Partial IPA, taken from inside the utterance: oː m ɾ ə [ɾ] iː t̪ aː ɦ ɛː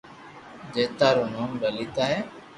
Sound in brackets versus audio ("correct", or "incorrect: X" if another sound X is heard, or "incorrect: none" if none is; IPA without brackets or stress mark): incorrect: l